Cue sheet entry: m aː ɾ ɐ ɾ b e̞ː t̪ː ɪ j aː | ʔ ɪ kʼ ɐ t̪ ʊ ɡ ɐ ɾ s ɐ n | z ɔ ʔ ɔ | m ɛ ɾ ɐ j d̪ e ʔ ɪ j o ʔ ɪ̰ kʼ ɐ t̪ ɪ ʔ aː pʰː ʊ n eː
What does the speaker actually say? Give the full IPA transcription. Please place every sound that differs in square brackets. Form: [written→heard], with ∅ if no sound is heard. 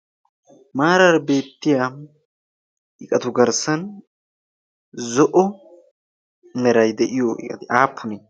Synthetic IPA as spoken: m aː ɾ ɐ ɾ b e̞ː t̪ː ɪ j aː | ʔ ɪ kʼ ɐ t̪ ʊ ɡ ɐ ɾ s ɐ n | z ɔ ʔ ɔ | m ɛ ɾ ɐ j d̪ [e→ɛ] ʔ ɪ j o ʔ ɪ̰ kʼ ɐ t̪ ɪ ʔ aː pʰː ʊ n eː